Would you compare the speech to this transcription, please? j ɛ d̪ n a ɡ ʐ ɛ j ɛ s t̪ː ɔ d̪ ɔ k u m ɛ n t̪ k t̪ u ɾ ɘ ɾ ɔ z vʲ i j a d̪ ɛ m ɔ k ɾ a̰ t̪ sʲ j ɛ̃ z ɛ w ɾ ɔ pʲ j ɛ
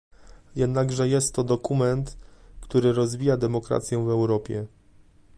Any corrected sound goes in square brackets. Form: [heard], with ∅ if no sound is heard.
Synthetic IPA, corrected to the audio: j ɛ d̪ n a ɡ ʐ ɛ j ɛ s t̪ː ɔ d̪ ɔ k u m ɛ n t̪ k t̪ u ɾ ɘ ɾ ɔ z vʲ i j a d̪ ɛ m ɔ k ɾ a̰ t̪ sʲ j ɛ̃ [v] ɛ w ɾ ɔ pʲ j ɛ